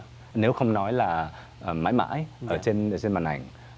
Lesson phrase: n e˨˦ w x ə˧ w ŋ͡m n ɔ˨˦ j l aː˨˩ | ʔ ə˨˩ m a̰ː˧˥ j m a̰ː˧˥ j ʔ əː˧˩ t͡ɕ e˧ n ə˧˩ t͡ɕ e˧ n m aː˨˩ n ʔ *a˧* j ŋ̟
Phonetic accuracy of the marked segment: incorrect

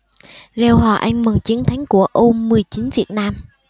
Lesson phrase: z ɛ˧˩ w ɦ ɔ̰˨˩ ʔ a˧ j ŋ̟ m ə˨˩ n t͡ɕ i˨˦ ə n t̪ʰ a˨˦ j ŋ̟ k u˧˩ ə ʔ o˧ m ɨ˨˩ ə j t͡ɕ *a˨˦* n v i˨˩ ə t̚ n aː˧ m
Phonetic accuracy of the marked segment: incorrect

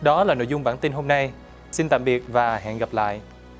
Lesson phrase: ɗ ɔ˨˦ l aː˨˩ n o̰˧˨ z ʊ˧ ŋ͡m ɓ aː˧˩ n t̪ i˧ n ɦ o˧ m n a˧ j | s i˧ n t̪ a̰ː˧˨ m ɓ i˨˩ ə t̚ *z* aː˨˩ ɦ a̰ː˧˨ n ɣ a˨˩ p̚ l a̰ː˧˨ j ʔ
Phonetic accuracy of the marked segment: incorrect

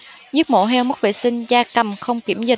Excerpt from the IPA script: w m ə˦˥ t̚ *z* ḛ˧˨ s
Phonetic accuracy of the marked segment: incorrect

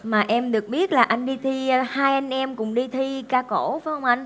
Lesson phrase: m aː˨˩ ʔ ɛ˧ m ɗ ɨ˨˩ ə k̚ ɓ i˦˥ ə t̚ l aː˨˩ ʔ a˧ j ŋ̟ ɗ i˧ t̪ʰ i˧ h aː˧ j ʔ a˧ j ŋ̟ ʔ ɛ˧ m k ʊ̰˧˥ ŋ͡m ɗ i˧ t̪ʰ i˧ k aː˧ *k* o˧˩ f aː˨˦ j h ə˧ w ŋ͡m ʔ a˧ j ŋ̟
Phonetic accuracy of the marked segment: correct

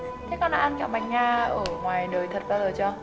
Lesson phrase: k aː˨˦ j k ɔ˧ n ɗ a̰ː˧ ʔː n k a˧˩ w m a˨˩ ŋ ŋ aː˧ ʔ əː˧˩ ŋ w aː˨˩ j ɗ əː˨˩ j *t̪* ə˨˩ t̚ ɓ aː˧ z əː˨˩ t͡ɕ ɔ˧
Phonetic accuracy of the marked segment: incorrect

